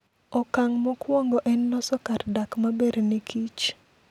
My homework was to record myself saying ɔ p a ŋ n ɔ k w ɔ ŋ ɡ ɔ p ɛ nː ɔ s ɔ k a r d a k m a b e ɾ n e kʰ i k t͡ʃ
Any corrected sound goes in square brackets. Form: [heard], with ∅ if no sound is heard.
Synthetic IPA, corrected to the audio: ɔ [k] a ŋ [m] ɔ k w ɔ ŋ ɡ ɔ [ʔ] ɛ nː ɔ s ɔ k a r d a k m a b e ɾ n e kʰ i [∅] t͡ʃ